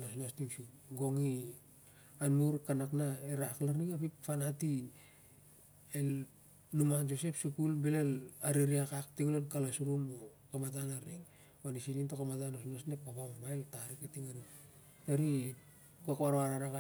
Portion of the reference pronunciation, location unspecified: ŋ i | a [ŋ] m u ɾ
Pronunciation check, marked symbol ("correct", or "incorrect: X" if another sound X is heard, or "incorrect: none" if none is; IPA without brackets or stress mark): incorrect: n